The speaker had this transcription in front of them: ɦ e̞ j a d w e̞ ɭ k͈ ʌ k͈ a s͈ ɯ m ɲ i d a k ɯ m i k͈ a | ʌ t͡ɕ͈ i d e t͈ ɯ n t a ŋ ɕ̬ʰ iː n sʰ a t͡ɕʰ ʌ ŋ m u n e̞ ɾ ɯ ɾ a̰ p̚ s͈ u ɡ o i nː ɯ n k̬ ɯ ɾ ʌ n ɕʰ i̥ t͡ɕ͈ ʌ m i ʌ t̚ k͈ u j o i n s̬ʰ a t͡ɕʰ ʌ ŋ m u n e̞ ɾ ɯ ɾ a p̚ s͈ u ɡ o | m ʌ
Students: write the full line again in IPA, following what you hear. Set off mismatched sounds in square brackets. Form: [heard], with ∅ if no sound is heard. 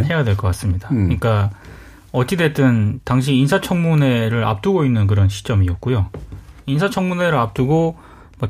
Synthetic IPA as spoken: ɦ e̞ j a d w e̞ ɭ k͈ ʌ k͈ a s͈ ɯ m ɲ i d a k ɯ [ɲ] i k͈ a | ʌ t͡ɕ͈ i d e t͈ ɯ n t a ŋ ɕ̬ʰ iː n sʰ a t͡ɕʰ ʌ ŋ m u n e̞ ɾ ɯ ɾ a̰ p̚ [t͈] u ɡ o i nː ɯ n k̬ ɯ ɾ ʌ n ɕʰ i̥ t͡ɕ͈ ʌ m i ʌ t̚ k͈ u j o i n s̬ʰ a t͡ɕʰ ʌ ŋ m u n e̞ ɾ ɯ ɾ a p̚ [t͈] u ɡ o | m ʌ